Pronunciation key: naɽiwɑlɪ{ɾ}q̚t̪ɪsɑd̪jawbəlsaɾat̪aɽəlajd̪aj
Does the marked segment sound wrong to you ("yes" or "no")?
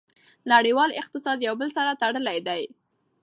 yes